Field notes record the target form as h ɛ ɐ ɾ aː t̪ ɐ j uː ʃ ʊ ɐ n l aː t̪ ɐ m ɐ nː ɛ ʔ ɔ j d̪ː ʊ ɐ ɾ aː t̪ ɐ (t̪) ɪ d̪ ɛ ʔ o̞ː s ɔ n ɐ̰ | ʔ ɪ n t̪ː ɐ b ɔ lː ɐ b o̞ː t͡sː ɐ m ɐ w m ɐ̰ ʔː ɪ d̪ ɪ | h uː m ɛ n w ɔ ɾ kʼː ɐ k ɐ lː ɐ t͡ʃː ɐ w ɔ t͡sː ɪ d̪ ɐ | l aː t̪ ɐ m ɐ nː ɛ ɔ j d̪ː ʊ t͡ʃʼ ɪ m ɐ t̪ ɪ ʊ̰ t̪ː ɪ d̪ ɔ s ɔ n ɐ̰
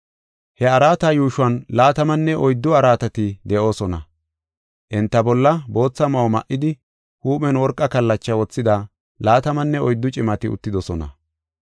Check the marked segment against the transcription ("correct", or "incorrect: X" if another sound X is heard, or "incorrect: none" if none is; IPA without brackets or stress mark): correct